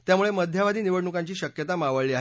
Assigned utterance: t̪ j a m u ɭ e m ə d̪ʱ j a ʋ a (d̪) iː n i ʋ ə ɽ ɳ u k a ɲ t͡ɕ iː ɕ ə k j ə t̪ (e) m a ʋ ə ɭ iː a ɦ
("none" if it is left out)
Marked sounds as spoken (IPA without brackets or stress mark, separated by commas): d̪, a